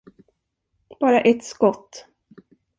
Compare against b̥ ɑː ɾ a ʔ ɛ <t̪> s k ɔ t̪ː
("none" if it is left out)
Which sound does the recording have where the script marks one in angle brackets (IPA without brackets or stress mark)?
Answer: t̪